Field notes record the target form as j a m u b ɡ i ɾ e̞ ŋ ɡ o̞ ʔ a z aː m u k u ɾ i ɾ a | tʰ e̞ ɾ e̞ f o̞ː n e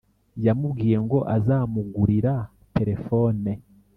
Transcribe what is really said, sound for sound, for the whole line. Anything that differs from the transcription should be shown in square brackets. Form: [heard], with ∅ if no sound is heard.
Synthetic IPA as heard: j a m u b ɡ [iː] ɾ e̞ ŋ ɡ o̞ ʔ a z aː m u [ɡ] u ɾ i ɾ a | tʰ e̞ ɾ e̞ f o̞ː n e